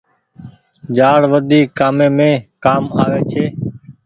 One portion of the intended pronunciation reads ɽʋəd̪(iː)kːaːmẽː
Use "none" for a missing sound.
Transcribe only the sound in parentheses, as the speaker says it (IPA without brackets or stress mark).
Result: iː